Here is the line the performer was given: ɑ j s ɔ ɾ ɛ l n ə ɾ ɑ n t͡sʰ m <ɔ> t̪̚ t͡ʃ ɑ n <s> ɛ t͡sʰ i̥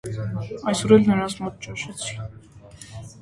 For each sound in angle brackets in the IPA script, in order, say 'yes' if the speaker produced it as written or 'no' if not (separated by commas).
yes, no